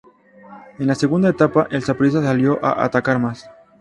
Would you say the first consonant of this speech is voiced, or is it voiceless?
voiced